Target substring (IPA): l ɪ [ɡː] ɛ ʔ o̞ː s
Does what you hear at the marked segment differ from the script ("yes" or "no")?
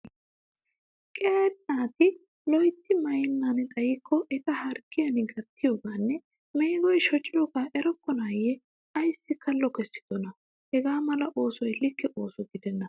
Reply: yes